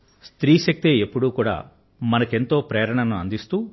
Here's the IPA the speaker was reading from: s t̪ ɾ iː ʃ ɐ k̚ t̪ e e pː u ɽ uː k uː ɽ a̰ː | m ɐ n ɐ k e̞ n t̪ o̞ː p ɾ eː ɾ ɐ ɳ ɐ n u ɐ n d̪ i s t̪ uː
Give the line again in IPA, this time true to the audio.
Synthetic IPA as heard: s t̪ ɾ iː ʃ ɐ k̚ t̪ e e pː u ɽ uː k uː ɽ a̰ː | m ɐ n ɐ k e̞ n t̪ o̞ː p ɾ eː ɾ ɐ ɳ ɐ n u ɐ n d̪ i s t̪ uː